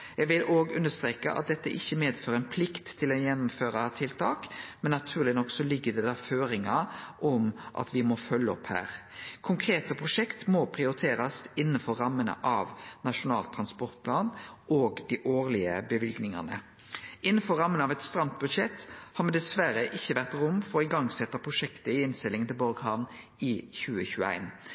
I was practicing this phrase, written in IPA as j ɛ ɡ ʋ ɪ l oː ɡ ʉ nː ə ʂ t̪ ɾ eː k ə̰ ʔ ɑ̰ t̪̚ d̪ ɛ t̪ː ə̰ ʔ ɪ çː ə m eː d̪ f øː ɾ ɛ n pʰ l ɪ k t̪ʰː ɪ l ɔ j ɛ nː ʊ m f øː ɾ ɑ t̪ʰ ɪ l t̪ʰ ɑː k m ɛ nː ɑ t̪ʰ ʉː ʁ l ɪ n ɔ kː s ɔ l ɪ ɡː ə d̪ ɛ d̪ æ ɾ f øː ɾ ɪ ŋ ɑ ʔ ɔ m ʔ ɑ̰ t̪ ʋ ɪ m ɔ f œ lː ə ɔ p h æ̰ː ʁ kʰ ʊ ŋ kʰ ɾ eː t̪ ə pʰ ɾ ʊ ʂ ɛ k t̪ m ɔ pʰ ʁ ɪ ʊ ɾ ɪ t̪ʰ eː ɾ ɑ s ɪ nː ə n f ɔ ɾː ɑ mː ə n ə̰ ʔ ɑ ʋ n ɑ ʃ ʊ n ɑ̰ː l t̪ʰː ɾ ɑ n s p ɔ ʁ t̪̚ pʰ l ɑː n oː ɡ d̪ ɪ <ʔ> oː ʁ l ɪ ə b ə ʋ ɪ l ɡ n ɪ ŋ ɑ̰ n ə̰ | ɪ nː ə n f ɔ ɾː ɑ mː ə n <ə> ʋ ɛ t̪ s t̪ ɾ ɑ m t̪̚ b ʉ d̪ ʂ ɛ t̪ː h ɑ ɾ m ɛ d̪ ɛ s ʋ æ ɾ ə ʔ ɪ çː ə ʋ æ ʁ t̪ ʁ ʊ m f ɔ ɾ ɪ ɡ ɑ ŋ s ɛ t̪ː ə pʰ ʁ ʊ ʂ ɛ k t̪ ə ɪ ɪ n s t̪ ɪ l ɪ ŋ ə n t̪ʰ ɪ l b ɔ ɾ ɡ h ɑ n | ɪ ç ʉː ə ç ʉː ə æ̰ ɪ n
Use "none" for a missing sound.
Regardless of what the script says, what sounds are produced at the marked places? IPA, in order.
ʔ, ɑ

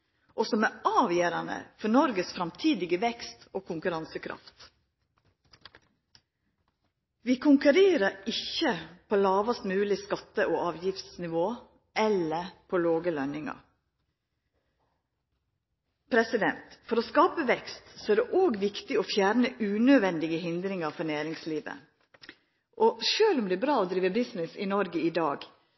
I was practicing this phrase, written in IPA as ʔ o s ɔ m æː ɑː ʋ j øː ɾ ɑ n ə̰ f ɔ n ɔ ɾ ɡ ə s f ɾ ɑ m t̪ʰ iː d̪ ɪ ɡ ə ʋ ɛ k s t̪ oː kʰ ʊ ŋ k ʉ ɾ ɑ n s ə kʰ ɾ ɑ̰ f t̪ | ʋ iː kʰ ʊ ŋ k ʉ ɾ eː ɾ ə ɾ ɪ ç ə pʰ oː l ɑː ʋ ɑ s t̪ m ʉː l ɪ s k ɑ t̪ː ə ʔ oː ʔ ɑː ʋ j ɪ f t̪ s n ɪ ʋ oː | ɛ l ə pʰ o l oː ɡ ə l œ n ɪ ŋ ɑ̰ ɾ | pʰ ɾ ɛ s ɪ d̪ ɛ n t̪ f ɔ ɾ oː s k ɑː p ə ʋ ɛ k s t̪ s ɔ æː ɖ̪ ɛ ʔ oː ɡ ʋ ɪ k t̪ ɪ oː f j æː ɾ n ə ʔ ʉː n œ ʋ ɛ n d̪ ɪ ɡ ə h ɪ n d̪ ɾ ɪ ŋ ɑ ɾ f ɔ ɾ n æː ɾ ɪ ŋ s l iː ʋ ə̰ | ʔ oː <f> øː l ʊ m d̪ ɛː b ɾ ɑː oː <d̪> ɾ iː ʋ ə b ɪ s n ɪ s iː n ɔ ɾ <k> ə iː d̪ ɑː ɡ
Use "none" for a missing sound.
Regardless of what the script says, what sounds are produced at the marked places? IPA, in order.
ʃ, d̪, ɡ

